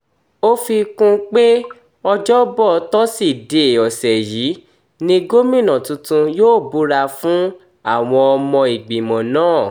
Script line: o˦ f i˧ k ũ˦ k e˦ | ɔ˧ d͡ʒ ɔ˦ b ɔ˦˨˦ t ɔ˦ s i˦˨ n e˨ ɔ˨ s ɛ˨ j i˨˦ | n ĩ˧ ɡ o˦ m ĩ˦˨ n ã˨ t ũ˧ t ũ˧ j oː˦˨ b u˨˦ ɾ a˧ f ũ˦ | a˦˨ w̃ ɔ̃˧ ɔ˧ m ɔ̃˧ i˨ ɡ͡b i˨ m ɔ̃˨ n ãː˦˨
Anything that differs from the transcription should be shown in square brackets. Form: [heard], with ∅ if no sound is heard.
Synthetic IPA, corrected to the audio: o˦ f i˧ k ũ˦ [k͡p] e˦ | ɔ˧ d͡ʒ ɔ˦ b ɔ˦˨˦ t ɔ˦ s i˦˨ [d] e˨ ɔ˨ s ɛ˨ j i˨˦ | n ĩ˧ ɡ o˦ m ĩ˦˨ n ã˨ t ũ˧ t ũ˧ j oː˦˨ b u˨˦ ɾ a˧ f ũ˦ | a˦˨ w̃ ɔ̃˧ ɔ˧ m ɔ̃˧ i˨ ɡ͡b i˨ m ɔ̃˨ n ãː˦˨